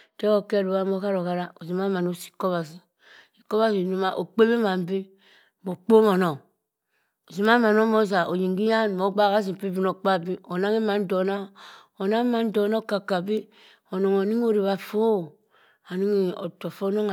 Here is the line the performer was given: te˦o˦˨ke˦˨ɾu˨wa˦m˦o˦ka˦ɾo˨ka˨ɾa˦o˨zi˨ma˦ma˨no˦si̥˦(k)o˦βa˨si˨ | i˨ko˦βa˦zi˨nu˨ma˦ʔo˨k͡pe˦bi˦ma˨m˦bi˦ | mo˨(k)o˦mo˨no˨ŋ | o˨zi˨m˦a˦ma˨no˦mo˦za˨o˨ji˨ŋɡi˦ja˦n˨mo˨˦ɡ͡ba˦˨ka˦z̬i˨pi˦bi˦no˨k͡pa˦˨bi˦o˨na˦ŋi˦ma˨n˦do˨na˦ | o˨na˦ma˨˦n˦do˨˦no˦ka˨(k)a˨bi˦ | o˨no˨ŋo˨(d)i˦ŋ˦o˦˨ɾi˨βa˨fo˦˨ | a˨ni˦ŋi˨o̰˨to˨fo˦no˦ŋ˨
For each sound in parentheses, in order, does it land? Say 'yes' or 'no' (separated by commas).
yes, no, yes, no